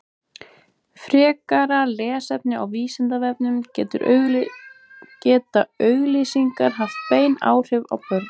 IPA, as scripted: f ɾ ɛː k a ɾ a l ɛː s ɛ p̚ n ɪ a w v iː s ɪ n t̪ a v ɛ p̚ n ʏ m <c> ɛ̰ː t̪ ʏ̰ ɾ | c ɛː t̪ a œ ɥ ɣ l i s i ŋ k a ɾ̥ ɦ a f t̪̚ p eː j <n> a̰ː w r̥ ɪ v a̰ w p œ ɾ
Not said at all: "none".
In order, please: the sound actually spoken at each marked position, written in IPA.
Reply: c, n

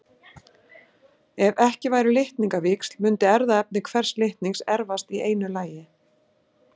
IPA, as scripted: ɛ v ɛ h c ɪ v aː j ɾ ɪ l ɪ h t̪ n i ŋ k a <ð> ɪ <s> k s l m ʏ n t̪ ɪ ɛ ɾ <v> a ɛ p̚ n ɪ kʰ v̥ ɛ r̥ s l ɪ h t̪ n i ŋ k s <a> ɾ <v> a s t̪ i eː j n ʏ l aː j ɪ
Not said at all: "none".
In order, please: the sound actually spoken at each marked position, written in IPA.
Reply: v, none, ð, ɛ, v

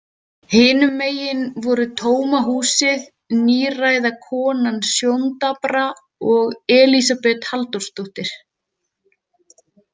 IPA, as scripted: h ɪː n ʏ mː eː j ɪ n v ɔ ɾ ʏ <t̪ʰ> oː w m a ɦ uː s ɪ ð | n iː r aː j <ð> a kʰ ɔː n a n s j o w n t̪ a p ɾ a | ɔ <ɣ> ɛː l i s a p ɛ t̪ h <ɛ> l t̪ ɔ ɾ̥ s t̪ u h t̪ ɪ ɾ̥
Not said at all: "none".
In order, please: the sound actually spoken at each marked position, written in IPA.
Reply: t̪ʰ, ð, ɣ, a

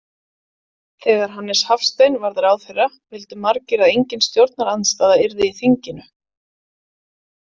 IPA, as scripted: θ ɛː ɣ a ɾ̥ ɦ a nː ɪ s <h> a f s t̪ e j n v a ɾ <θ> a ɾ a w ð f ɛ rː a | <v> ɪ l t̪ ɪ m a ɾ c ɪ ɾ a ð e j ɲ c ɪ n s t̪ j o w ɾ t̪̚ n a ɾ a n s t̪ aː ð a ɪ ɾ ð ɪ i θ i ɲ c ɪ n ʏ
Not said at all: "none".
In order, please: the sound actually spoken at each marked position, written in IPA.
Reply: h, ð, v

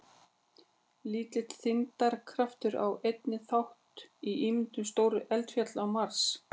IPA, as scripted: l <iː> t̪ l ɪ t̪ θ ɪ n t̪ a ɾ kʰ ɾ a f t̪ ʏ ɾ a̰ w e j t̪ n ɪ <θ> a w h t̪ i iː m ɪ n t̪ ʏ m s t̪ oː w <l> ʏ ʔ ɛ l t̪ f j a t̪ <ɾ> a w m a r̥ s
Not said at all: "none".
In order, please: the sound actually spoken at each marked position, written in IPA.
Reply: iː, θ, ɾ, l

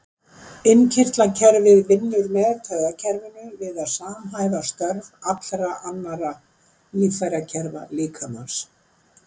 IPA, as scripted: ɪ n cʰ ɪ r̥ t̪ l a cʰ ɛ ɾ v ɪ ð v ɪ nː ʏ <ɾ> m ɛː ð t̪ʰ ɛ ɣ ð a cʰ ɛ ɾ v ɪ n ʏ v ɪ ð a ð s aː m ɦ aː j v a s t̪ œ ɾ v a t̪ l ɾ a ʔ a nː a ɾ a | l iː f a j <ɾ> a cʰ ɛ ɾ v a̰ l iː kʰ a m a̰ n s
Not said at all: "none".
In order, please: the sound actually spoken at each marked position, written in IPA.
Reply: ɾ, ɾ

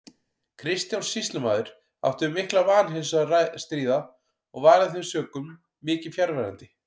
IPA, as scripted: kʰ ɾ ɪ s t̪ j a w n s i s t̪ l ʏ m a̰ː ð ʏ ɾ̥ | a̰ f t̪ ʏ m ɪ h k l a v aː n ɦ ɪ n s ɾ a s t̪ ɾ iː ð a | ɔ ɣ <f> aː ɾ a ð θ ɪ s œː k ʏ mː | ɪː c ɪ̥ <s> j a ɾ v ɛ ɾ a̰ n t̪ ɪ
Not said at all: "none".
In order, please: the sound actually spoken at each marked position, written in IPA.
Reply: v, f

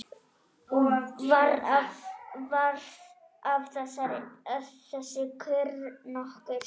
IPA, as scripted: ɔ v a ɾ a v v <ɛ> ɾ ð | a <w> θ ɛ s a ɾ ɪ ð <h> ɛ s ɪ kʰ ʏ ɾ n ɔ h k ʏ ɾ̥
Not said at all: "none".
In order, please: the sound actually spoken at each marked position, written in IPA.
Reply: a, v, θ

